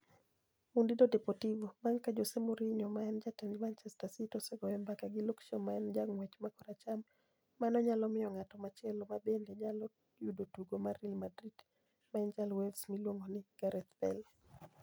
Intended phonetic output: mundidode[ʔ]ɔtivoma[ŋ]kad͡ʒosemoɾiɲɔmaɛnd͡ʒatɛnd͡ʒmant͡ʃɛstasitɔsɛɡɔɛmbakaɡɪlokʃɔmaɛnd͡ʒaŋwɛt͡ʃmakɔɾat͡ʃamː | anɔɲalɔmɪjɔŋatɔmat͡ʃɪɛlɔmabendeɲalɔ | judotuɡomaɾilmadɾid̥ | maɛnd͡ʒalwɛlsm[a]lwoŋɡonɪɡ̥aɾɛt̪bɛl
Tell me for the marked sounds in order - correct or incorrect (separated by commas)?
incorrect, correct, incorrect